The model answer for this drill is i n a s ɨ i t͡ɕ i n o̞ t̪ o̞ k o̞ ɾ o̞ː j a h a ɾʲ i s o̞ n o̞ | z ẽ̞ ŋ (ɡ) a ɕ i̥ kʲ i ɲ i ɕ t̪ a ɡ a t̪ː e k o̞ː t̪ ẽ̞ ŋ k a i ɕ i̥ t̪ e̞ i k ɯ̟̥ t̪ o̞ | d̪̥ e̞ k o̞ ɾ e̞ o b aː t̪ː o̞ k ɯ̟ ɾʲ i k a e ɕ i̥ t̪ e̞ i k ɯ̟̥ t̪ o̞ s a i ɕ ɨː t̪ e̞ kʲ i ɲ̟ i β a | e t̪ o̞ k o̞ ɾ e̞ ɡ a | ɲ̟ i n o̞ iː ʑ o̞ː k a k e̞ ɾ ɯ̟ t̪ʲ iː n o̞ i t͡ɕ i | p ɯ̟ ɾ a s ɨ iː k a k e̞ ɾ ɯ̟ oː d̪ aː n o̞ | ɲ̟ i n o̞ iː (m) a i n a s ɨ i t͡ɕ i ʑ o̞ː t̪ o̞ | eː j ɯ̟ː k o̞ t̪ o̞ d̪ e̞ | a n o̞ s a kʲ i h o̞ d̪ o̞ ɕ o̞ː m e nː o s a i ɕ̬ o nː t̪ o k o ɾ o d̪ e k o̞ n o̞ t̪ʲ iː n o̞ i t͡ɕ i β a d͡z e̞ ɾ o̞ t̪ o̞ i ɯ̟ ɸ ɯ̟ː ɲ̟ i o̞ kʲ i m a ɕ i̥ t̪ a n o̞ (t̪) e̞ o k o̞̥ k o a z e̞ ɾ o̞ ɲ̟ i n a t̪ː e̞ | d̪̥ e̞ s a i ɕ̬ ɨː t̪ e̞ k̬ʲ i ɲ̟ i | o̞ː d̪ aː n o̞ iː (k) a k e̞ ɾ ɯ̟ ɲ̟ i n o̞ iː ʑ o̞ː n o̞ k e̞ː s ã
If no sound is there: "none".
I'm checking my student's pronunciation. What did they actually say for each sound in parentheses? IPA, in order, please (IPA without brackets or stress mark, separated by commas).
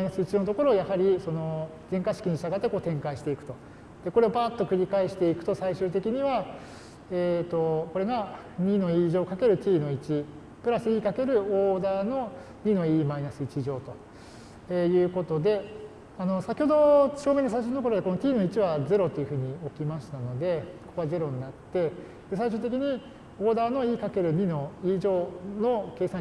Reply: k, m, d̪, k